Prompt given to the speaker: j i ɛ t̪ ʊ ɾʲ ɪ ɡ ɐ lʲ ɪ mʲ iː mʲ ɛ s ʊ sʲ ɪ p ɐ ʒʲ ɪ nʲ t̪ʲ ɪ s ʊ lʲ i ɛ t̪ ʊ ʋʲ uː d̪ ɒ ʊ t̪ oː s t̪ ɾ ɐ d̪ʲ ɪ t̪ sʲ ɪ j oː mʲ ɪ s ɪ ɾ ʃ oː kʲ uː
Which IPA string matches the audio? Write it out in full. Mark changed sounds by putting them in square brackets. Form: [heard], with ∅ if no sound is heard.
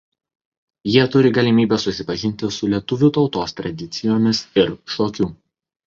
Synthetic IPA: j i ɛ t̪ ʊ ɾʲ ɪ ɡ ɐ lʲ ɪ mʲ iː [bʲ] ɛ s ʊ sʲ ɪ p ɐ ʒʲ ɪ nʲ t̪ʲ ɪ s ʊ lʲ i ɛ t̪ ʊ ʋʲ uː [t̪] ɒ ʊ t̪ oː s t̪ ɾ ɐ d̪ʲ ɪ t̪ sʲ ɪ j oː mʲ ɪ s ɪ ɾ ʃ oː kʲ uː